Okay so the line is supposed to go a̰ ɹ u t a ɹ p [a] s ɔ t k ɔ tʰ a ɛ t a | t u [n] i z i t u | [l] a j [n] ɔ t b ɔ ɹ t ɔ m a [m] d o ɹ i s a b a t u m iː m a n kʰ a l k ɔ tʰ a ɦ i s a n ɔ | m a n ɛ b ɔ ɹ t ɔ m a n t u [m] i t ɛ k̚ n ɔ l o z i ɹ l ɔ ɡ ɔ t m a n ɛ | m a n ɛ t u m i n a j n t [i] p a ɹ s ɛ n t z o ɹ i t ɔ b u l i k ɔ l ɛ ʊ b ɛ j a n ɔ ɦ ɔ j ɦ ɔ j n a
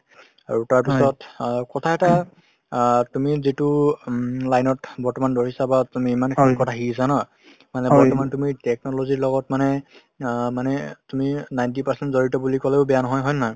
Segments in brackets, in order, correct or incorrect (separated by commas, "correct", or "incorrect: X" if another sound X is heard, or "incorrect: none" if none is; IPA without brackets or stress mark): incorrect: i, incorrect: m, correct, correct, incorrect: n, correct, correct